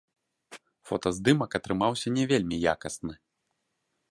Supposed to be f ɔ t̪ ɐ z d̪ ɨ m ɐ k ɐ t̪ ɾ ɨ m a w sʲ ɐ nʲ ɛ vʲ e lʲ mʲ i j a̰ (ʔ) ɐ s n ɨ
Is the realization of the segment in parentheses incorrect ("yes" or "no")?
yes